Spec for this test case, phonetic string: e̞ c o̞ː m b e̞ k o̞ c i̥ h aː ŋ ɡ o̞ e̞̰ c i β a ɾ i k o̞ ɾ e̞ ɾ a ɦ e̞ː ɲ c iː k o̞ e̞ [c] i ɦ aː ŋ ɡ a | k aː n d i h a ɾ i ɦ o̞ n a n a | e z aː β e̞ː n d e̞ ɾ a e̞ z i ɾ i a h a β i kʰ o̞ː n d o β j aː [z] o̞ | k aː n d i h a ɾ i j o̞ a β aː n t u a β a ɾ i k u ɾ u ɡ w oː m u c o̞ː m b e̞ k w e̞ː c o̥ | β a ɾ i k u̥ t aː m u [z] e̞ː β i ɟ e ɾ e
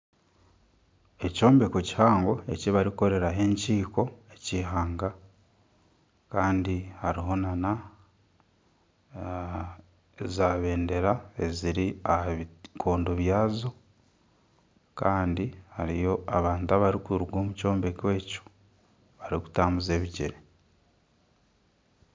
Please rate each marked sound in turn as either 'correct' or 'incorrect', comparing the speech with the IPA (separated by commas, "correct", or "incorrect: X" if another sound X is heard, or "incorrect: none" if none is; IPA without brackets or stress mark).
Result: correct, correct, correct